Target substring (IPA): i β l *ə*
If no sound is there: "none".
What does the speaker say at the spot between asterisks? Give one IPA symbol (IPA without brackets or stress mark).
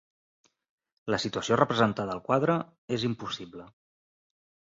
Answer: ə